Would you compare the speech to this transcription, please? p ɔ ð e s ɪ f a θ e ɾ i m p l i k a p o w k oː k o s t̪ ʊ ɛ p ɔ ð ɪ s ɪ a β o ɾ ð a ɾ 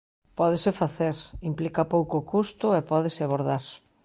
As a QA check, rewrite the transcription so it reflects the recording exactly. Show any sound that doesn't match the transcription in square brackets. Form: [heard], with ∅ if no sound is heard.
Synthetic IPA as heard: p ɔ ð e s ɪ f a θ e ɾ i m p l i k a p o w k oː k [u] s t̪ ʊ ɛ p ɔ ð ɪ s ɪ a β o ɾ ð a ɾ